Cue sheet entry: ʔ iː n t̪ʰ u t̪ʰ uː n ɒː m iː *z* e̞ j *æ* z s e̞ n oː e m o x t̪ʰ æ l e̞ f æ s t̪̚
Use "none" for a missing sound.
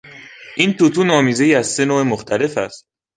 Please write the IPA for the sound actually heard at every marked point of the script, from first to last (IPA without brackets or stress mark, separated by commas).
z, æ